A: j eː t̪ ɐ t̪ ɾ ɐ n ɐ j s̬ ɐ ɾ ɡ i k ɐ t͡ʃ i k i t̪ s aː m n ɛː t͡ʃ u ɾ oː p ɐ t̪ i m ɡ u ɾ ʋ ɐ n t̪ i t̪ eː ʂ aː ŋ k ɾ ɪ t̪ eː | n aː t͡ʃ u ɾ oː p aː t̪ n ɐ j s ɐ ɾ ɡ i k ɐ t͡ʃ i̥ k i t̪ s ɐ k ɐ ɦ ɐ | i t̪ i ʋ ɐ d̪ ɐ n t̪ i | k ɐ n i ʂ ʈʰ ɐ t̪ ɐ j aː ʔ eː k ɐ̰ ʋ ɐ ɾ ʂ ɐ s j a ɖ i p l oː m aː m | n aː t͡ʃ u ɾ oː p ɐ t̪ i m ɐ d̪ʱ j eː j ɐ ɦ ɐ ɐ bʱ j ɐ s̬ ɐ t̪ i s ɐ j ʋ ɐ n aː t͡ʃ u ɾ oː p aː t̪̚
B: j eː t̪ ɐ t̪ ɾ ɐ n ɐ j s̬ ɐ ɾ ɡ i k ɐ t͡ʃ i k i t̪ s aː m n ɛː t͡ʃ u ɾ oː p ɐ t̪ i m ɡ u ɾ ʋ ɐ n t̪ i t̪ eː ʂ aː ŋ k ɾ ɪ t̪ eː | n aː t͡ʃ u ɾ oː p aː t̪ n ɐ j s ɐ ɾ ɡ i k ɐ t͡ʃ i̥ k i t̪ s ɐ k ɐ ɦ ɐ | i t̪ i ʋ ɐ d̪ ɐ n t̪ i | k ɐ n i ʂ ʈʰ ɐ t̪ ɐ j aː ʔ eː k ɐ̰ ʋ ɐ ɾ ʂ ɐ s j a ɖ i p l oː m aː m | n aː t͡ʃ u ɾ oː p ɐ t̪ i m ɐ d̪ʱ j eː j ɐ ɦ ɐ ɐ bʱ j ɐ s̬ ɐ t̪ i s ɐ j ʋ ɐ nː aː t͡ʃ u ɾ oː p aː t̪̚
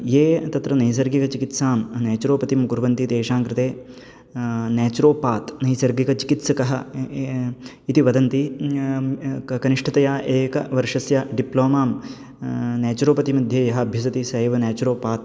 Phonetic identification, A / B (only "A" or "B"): A